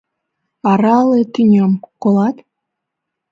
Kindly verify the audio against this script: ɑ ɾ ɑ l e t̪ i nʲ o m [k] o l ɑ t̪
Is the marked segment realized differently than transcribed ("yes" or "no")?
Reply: no